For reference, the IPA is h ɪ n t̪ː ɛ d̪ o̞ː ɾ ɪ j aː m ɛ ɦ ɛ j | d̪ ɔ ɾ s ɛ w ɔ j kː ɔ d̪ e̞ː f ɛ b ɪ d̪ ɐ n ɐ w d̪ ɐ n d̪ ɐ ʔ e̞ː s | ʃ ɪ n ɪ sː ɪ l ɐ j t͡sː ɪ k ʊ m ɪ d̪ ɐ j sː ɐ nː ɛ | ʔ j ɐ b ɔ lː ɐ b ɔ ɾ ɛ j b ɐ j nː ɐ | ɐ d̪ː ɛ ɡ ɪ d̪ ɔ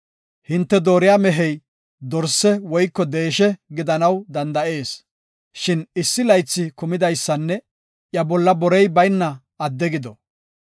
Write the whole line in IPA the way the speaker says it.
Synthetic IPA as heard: h ɪ n t̪ː ɛ d̪ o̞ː ɾ ɪ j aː m ɛ ɦ ɛ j | d̪ ɔ ɾ s ɛ w ɔ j kː ɔ d̪ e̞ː ʃ ɛ ɡ ɪ d̪ ɐ n ɐ w d̪ ɐ n d̪ ɐ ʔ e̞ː s | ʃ ɪ n ɪ sː ɪ l ɐ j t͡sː ɪ k ʊ m ɪ d̪ ɐ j sː ɐ nː ɛ | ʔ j ɐ b ɔ lː ɐ b ɔ ɾ ɛ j b ɐ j nː ɐ | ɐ d̪ː ɛ ɡ ɪ d̪ ɔ